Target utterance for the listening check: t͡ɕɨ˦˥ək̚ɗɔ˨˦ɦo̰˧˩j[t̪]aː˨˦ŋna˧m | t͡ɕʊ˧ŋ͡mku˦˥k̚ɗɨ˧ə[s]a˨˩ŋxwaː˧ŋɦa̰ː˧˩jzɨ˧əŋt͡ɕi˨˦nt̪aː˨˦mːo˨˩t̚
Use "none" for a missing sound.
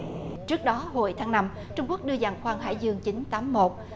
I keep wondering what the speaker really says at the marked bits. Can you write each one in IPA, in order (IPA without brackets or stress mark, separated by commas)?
t̪ʰ, z